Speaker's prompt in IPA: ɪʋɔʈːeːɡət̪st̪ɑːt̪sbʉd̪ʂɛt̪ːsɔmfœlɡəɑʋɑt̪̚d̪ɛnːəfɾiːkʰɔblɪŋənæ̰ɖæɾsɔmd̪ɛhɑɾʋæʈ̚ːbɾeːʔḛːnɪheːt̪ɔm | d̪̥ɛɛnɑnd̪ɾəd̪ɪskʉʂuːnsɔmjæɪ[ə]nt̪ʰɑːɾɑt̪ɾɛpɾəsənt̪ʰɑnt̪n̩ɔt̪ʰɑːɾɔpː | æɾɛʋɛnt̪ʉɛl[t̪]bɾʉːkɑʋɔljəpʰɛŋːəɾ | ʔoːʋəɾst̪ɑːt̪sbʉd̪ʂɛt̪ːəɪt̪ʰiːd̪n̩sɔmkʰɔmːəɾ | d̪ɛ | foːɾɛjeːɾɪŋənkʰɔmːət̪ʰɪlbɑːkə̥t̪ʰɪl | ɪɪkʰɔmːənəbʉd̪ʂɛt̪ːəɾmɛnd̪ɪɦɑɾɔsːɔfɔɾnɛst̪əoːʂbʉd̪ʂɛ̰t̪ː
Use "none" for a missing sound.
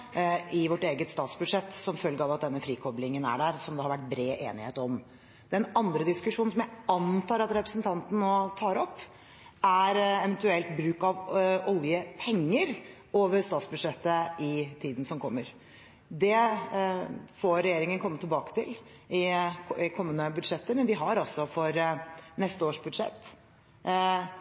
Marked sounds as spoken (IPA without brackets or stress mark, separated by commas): ɑ, t̪